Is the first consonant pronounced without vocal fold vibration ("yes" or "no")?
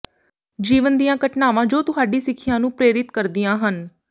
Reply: no